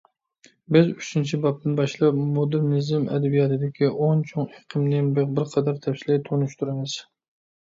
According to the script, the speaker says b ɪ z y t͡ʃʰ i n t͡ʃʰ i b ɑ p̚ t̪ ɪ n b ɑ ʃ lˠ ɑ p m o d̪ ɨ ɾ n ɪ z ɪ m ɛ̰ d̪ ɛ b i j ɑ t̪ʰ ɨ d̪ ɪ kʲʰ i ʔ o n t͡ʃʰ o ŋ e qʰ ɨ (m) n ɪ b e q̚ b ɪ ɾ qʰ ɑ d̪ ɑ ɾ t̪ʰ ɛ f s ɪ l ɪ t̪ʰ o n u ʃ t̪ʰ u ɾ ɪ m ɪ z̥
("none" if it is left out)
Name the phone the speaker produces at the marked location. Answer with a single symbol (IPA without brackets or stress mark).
m